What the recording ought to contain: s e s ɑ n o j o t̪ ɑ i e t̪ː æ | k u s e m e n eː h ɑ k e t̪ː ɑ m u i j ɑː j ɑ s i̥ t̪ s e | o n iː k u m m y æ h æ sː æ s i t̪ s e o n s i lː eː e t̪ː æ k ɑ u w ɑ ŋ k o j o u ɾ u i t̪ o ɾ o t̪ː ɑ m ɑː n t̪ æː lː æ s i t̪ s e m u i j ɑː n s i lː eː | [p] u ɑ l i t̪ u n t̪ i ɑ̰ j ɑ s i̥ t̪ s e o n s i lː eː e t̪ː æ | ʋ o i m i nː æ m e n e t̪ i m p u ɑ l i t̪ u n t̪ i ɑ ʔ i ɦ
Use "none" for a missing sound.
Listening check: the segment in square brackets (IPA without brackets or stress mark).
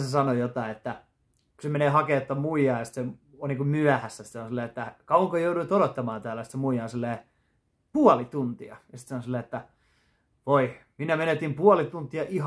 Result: p